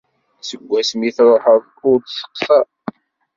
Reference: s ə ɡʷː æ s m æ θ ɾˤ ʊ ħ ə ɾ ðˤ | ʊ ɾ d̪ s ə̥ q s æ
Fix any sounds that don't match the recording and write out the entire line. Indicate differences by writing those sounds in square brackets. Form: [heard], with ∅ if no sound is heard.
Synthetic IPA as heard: s ə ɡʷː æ s m [i] θ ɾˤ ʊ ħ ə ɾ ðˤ | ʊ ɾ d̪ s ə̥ q s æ

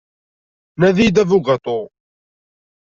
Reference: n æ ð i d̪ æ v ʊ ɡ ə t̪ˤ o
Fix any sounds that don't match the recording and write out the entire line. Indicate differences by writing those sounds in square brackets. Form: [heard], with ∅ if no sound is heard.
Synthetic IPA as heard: n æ ð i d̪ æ v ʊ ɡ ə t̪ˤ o

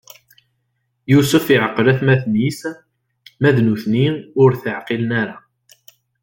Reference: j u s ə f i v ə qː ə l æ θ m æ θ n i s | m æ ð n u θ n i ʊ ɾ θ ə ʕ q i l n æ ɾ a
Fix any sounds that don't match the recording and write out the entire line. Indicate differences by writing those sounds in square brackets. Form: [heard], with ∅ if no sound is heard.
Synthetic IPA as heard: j u s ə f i [ʕ] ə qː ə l æ θ m æ θ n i s | m æ ð n u θ n i ʊ ɾ θ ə ʕ q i l n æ ɾ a

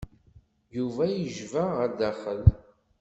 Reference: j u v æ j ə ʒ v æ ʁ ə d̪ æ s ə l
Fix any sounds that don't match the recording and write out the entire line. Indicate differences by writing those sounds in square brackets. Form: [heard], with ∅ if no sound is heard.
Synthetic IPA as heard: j u v æ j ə ʒ v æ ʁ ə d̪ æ [χ] ə l

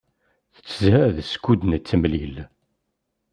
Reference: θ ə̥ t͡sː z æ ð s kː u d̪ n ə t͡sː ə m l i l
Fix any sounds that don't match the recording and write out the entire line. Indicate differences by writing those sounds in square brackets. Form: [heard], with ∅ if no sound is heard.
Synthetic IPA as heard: θ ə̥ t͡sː z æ ð s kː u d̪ n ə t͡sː ə m l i l

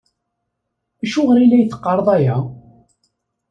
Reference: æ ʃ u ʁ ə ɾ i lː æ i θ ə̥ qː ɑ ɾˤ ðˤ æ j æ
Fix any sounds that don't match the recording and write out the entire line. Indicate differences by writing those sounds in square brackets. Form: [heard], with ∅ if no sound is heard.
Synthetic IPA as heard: æ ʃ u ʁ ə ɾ i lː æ [j] θ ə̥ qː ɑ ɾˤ ðˤ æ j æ

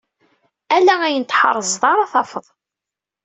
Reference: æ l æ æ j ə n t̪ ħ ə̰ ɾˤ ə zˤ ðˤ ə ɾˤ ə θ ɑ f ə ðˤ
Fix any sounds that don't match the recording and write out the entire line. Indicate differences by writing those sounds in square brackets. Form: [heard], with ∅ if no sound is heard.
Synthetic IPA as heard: æ l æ æ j ə n t̪ ħ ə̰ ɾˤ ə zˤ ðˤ [ɑ] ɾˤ [ɑ] θ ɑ f ə ðˤ

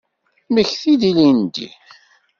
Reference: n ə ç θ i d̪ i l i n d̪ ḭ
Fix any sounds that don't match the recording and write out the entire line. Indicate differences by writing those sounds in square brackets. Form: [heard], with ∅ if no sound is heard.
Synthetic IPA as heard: [m] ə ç θ i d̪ i l i n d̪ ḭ

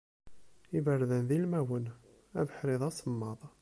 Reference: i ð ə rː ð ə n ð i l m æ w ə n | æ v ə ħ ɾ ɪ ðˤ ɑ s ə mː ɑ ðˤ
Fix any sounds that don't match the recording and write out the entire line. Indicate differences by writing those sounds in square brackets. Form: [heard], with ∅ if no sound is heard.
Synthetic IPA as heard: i [v] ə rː ð ə n ð i l m æ w ə n | æ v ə ħ ɾ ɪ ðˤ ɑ s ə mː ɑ ðˤ

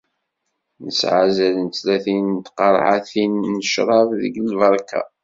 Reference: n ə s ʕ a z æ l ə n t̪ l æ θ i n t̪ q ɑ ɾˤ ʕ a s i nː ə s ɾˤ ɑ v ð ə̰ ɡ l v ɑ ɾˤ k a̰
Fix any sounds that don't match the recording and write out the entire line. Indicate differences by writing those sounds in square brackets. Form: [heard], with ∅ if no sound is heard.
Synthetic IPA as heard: n ə s ʕ a z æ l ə n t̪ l æ θ i n t̪ q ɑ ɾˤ ʕ a [θ] i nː ə [ʃ] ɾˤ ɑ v ð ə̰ ɡ l v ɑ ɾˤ k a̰

